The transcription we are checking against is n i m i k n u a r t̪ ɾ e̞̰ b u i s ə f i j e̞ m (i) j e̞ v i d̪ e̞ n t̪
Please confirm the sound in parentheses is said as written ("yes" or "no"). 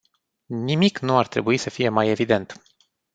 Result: no